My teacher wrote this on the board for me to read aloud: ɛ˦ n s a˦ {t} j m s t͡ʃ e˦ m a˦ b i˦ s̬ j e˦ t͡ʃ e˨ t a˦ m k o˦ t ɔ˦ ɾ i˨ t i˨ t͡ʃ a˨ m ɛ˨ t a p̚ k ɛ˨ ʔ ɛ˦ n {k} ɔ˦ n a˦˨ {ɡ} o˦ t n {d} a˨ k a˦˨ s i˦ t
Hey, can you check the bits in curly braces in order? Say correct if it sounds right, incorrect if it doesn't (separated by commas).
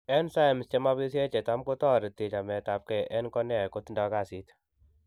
incorrect, correct, incorrect, correct